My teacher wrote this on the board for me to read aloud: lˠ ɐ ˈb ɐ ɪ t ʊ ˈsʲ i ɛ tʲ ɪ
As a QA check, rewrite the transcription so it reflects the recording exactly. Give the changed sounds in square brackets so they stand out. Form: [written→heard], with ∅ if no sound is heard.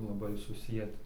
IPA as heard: lˠ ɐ ˈb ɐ ɪ [t→s] ʊ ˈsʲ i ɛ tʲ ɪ